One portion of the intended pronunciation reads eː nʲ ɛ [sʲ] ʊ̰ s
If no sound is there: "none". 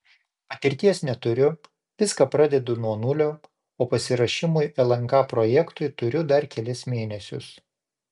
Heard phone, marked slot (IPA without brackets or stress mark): sʲ